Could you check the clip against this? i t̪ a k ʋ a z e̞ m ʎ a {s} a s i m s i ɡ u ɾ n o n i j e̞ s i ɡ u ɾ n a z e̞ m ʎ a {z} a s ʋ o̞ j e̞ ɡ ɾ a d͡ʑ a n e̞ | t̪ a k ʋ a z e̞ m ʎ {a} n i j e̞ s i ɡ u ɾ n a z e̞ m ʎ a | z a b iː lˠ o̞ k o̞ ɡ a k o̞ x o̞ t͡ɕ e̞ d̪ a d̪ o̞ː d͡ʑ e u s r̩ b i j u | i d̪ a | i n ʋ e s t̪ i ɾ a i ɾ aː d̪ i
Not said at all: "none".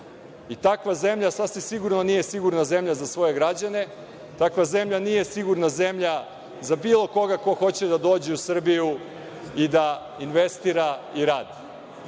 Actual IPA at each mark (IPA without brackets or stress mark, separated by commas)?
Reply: s, z, a